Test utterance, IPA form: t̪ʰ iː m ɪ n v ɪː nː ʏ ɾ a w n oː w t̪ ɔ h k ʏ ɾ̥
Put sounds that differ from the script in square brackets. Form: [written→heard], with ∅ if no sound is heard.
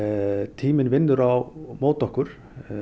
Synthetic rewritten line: t̪ʰ iː m ɪ n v [ɪː→ɪ] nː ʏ ɾ a w [n→m] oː w t̪ ɔ h k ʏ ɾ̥